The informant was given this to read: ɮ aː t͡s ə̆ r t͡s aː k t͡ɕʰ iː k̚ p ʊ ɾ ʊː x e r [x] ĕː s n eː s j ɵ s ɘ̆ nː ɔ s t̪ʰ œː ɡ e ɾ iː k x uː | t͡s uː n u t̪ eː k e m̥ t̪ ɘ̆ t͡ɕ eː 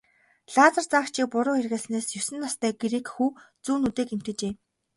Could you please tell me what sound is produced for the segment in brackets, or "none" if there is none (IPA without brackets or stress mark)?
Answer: ɣ